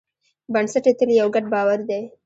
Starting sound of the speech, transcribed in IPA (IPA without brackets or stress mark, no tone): b